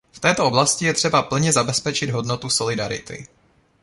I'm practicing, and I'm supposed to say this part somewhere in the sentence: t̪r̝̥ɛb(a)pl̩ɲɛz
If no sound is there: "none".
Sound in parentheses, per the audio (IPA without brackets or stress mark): a